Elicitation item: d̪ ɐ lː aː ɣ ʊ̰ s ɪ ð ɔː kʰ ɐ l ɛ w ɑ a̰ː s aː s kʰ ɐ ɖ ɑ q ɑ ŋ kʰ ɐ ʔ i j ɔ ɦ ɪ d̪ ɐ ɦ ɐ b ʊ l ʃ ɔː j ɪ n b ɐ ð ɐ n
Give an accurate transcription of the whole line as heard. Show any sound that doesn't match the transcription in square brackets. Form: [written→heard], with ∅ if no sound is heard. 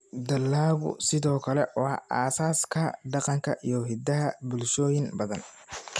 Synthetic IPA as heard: d̪ ɐ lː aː ɣ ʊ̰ s ɪ ð ɔː kʰ ɐ l ɛ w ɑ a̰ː s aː s kʰ ɐ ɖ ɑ q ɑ ŋ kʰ ɐ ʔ i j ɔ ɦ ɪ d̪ ɐ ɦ ɐ b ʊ l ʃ ɔː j ɪ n b ɐ ð ɐ n